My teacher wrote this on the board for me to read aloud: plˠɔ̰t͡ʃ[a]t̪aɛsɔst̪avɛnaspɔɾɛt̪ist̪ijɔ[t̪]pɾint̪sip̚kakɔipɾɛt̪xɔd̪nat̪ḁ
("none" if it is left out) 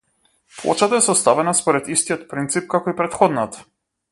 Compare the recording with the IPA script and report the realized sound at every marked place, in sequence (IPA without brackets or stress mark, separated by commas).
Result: a, t̪